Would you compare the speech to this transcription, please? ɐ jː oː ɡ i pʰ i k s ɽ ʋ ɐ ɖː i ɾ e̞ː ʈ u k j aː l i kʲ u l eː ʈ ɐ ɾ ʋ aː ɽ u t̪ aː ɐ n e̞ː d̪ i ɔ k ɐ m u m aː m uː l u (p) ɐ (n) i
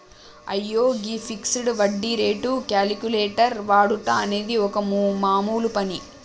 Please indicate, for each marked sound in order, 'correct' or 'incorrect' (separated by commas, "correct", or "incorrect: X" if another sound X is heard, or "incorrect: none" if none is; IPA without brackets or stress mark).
correct, correct